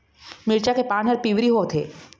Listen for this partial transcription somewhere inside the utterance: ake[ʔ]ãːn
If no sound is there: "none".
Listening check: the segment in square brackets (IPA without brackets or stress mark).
p